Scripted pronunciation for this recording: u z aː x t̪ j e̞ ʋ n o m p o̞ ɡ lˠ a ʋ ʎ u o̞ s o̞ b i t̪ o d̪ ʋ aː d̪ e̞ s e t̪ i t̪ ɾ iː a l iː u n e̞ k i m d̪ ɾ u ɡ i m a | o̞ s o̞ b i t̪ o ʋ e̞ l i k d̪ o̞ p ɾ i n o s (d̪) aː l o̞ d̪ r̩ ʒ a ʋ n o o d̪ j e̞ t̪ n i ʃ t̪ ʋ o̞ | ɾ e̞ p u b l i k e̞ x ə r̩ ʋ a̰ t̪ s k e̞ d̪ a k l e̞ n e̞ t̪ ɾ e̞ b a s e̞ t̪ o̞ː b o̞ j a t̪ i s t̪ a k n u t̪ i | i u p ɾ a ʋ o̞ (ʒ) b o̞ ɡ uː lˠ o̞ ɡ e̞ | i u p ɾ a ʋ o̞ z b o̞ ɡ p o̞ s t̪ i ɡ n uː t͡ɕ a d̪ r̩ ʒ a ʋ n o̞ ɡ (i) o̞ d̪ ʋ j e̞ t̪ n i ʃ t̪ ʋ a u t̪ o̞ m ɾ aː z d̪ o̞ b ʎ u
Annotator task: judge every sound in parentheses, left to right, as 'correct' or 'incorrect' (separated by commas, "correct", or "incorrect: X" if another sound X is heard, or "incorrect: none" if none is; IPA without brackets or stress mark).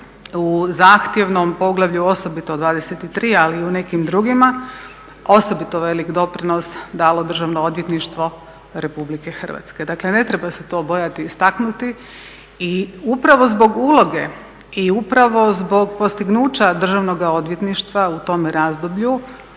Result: correct, incorrect: z, incorrect: a